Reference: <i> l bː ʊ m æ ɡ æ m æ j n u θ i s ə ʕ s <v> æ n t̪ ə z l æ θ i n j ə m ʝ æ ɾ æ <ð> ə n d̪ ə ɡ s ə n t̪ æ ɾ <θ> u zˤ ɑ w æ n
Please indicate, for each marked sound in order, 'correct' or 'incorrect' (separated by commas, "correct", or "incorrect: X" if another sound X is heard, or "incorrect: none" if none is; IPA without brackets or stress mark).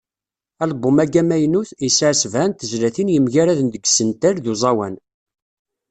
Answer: incorrect: æ, correct, correct, incorrect: ð